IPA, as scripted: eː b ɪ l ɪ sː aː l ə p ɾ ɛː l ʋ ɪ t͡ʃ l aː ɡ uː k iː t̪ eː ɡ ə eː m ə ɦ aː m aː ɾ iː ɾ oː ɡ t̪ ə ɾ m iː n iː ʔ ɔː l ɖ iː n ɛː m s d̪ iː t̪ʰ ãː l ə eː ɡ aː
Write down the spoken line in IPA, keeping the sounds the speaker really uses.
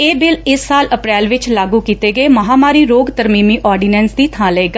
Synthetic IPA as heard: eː b ɪ l ɪ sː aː l ə p ɾ ɛː l ʋ ɪ t͡ʃ l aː ɡ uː k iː t̪ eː ɡ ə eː m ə ɦ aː m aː ɾ iː ɾ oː ɡ t̪ ə ɾ m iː m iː ʔ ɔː ɾ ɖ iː n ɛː n s d̪ iː t̪ʰ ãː l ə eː ɡ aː